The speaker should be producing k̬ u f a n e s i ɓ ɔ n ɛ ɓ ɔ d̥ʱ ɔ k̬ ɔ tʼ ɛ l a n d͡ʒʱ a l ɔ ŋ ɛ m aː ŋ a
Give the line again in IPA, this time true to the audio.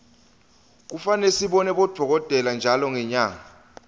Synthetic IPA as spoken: k̬ u f a n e s i ɓ ɔ n ɛ ɓ ɔ d̥ʱ ɔ k̬ ɔ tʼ ɛ l a n d͡ʒʱ a l ɔ ŋ ɛ ɲ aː ŋ a